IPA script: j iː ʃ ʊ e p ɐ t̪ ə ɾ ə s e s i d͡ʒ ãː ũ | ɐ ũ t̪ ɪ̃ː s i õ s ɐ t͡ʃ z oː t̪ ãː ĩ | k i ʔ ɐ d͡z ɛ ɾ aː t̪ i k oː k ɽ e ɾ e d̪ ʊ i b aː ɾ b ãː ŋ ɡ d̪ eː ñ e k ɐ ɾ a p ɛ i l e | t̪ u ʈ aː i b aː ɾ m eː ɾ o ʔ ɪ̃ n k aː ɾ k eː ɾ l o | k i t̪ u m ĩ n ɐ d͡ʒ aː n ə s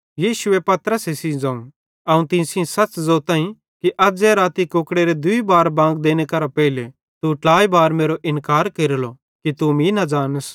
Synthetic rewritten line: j iː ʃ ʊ e p ɐ t̪ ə ɾ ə s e s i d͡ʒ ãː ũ | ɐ ũ t̪ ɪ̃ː s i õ s ɐ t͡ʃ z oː t̪ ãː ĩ | k i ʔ ɐ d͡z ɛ ɾ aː t̪ i k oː k ɽ e ɾ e d̪ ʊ i b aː ɾ b ãː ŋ ɡ d̪ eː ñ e k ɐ ɾ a p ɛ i l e | t̪ u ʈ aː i b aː ɾ m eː ɾ o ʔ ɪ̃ n k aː ɾ k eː ɾ l o | k i t̪ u m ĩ n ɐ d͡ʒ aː n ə s